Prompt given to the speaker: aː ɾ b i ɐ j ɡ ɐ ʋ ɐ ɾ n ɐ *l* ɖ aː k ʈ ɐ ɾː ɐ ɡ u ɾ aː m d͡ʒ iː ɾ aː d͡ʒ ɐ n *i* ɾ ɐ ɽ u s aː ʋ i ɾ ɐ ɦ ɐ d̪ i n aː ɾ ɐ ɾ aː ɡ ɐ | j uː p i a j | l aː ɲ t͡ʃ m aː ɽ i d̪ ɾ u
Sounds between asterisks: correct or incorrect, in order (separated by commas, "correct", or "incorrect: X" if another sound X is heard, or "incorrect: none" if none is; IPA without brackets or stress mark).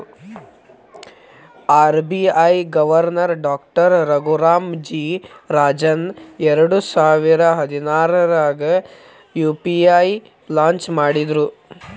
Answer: incorrect: ɾ, incorrect: ɛ